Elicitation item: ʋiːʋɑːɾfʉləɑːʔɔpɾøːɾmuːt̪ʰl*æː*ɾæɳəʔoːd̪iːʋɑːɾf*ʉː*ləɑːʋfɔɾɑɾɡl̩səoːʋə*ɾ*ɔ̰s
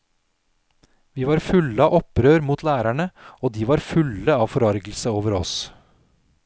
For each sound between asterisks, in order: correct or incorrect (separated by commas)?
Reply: correct, incorrect, correct